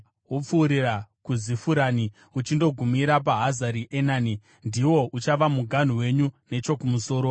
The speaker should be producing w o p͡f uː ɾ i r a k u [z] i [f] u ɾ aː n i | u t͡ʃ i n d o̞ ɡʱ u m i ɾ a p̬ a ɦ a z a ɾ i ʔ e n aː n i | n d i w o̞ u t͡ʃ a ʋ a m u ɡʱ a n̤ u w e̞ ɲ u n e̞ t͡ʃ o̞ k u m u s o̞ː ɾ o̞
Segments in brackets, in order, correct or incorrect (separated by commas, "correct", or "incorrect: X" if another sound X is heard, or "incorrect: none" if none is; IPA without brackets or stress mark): correct, correct